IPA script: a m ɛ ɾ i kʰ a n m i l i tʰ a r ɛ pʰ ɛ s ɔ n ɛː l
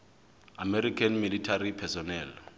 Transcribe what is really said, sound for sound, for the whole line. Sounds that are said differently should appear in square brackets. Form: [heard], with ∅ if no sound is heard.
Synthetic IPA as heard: a m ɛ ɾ i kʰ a n m i l i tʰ a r [i] pʰ ɛ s ɔ n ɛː l